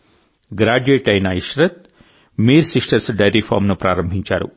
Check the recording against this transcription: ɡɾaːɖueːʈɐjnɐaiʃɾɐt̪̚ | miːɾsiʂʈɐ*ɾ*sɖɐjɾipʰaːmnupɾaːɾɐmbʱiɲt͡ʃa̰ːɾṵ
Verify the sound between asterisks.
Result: correct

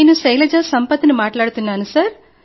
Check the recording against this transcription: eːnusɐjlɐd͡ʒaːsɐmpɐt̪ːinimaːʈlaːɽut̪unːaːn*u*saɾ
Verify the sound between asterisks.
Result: correct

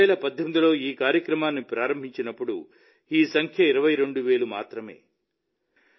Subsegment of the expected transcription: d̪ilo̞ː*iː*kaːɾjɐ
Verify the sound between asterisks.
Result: correct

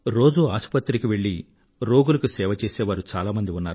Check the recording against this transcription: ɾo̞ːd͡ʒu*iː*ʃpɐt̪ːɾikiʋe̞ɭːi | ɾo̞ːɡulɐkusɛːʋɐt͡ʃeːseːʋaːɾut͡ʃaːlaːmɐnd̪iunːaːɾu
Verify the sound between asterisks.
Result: incorrect: aː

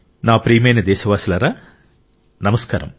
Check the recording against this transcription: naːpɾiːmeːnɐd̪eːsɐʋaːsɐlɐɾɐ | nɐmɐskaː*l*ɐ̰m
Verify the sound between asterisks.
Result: incorrect: ɾ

